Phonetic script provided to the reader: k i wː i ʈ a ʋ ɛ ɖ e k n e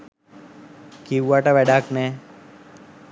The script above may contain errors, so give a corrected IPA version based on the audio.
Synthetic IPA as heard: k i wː a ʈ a ʋ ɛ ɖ a k n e